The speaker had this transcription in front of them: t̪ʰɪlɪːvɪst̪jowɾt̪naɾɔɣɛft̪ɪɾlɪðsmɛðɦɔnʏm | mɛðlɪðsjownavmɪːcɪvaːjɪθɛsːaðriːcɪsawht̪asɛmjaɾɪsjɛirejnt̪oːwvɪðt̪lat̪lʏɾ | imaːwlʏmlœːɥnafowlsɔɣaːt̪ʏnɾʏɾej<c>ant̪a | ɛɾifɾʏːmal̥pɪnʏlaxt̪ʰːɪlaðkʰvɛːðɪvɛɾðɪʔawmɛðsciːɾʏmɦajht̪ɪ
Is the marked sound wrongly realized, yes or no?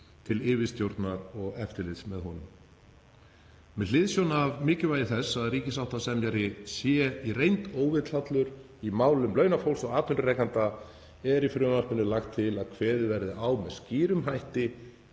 yes